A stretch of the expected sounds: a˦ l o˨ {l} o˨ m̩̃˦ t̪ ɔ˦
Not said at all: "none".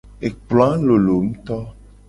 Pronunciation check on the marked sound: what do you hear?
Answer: l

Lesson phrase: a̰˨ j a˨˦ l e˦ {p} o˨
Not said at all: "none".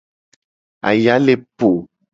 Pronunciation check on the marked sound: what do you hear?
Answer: p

